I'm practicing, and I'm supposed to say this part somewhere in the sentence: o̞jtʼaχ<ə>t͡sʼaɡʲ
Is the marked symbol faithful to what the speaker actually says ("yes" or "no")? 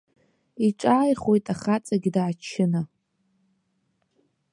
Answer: no